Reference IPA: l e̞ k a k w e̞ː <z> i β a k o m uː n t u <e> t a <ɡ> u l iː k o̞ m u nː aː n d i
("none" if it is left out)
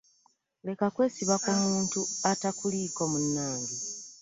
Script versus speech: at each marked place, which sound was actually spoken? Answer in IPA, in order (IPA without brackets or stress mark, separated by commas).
s, a, k